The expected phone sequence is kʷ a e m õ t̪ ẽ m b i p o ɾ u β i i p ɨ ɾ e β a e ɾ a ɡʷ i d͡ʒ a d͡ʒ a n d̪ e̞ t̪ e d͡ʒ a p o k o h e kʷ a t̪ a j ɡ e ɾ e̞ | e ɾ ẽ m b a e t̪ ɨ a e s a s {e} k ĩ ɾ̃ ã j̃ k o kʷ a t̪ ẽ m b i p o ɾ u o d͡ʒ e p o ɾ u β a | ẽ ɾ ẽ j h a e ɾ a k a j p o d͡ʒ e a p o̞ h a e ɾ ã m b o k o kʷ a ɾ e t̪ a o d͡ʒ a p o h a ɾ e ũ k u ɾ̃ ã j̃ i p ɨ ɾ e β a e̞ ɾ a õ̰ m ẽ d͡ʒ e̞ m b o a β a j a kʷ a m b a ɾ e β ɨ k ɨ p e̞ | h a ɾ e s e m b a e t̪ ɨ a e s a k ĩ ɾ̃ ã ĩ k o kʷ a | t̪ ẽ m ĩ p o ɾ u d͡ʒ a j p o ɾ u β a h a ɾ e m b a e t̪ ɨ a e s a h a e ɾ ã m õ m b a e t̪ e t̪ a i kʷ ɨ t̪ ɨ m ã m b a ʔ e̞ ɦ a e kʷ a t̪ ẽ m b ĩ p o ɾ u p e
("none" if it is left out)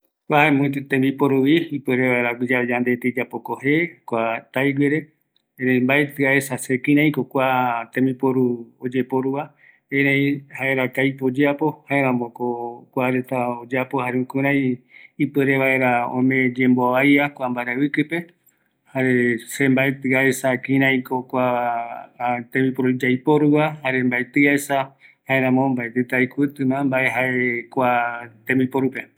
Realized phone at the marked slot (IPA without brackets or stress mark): e